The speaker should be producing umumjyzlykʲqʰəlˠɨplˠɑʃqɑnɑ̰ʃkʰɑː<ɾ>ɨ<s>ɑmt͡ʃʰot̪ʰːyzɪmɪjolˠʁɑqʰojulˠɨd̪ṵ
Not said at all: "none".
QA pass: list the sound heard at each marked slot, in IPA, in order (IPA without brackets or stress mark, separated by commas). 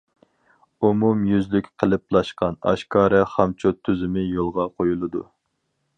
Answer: ɾ, χ